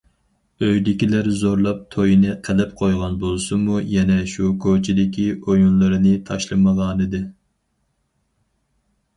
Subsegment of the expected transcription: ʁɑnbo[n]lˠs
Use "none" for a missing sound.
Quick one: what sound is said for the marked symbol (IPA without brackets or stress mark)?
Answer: none